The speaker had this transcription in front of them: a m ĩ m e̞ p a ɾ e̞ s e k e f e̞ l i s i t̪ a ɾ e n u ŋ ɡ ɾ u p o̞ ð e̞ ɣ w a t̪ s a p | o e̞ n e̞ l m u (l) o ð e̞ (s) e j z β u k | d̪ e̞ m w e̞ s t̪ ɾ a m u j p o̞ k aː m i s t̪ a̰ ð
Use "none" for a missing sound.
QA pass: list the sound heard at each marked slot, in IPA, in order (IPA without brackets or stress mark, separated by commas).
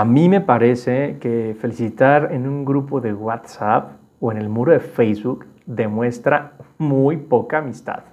ɾ, f